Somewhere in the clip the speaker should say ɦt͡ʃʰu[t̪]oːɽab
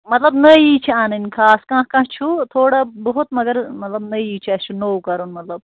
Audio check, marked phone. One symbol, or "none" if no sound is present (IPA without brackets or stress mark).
t̪ʰ